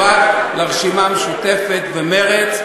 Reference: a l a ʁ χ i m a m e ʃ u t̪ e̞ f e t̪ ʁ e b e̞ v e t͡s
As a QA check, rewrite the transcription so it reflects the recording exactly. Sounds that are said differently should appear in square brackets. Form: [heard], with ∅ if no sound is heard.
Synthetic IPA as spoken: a l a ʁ [ʃ] i m a m e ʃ u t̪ e̞ f e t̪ [v] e [m] e̞ [ʁ] e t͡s